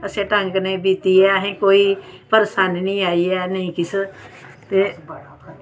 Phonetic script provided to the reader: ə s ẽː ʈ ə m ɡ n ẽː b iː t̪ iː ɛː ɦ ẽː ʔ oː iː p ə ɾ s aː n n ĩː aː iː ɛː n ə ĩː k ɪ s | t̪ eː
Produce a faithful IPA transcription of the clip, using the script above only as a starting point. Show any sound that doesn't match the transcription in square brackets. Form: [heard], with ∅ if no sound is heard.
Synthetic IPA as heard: ə s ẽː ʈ ə [ŋ] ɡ n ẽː b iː t̪ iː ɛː ɦ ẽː [k] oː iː p ə ɾ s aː n n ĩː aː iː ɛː n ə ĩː k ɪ s | t̪ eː